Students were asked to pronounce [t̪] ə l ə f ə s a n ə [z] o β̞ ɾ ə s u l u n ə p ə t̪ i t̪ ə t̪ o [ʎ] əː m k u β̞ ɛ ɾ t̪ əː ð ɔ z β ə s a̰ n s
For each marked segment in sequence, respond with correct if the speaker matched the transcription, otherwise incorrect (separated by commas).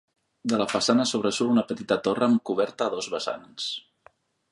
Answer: incorrect, incorrect, incorrect